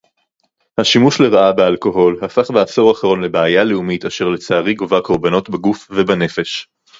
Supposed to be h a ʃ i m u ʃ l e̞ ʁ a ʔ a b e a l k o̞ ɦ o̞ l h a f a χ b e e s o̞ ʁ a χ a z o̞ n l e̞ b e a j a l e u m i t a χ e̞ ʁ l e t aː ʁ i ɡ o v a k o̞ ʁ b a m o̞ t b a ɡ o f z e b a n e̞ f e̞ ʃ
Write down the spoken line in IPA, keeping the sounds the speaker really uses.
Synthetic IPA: h a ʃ i m u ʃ l e̞ ʁ a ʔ a b e a l k o̞ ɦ o̞ l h a f a χ b e a s o̞ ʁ a χ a ʁ o̞ n l e̞ b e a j a l e u m i t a ʃ e̞ ʁ l e t͡s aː ʁ i ɡ o v a k o̞ ʁ b a n o̞ t b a ɡ u f v e b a n e̞ f e̞ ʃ